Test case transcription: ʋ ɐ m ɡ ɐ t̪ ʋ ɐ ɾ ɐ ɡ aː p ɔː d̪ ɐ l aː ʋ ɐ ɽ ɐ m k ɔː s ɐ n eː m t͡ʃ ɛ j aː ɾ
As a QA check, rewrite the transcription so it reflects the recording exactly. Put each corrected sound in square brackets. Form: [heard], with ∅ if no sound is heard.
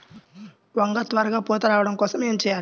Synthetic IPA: ʋ ɐ [ŋ] ɡ ɐ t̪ ʋ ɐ ɾ ɐ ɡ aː p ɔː [t̪] ɐ [ɾ] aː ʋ ɐ ɽ ɐ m k ɔː s ɐ [m] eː m t͡ʃ ɛ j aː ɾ